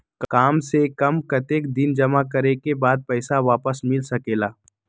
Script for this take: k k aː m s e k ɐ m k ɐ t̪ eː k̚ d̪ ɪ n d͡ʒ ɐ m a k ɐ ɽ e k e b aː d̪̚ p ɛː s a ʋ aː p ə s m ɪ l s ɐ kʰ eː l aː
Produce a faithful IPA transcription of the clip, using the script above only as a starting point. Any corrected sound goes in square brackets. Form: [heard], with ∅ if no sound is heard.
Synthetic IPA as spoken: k k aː m s e k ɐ m k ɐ t̪ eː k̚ d̪ ɪ n d͡ʒ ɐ m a k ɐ [ɾ] e k e b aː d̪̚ p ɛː s a ʋ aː p ə s m ɪ l s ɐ [k] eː l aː